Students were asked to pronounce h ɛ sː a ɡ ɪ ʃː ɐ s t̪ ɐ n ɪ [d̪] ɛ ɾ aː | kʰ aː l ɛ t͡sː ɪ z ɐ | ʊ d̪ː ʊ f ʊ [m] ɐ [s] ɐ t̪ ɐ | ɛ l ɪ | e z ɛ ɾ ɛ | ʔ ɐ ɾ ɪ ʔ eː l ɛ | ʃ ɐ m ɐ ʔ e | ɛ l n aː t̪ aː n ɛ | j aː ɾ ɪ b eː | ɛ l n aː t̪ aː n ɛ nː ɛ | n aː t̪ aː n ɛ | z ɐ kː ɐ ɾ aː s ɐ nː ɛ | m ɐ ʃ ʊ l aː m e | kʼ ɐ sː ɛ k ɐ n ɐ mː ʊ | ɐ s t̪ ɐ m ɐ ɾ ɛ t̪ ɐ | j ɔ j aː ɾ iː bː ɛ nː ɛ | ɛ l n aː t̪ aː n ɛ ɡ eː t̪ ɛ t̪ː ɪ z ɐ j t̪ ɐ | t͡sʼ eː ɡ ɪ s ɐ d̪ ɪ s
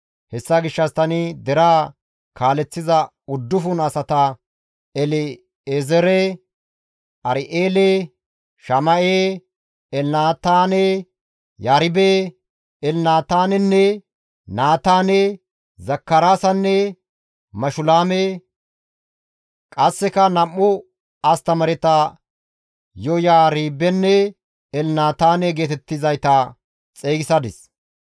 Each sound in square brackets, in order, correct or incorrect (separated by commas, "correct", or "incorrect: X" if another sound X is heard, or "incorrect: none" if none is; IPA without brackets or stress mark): correct, incorrect: n, correct